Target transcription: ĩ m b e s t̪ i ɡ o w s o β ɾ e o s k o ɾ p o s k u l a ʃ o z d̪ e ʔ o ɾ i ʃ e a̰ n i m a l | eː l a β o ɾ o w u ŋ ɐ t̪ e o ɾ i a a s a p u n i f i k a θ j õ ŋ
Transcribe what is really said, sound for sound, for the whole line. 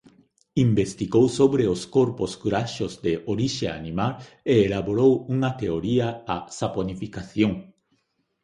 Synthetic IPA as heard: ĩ m b e s t̪ i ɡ o w s o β ɾ e o s k o ɾ p o s k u ɾ a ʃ o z d̪ e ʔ o ɾ i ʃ e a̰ n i m a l | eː l a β o ɾ o w u ŋ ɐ t̪ e o ɾ i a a s a p o n i f i k a θ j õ ŋ